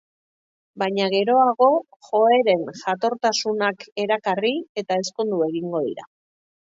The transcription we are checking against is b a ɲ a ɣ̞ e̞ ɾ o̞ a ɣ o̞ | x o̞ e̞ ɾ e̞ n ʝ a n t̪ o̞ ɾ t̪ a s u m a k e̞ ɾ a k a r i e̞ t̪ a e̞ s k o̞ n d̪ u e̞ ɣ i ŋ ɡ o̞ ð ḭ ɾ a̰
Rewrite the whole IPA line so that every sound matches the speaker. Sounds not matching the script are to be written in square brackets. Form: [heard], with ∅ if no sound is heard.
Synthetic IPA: b a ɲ a ɣ̞ e̞ ɾ o̞ a ɣ o̞ | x o̞ e̞ ɾ e̞ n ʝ a [∅] t̪ o̞ ɾ t̪ a s u [n] a k e̞ ɾ a k a r i e̞ t̪ a e̞ s k o̞ n d̪ u e̞ ɣ i ŋ ɡ o̞ ð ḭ ɾ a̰